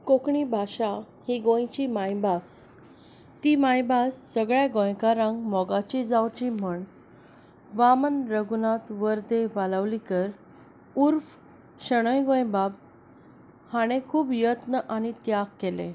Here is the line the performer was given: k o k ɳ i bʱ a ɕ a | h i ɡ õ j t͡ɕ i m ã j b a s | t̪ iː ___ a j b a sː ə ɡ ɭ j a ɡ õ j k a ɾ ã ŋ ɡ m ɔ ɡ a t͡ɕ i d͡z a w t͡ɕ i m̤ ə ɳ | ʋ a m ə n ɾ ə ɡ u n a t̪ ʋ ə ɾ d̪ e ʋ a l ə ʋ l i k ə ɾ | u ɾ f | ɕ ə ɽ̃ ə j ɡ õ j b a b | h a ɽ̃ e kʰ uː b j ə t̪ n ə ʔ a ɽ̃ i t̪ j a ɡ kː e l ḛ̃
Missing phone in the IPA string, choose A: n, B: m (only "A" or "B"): B